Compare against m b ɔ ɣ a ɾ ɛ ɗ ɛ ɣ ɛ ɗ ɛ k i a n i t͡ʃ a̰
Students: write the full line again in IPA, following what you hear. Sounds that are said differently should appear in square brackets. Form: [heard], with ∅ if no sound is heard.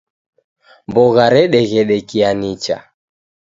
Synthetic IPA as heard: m b ɔ ɣ a ɾ ɛ ɗ ɛ ɣ ɛ ɗ ɛ k i a n i t͡ʃ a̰